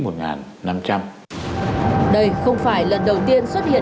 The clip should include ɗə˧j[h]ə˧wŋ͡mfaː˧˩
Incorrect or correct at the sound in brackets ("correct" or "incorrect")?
incorrect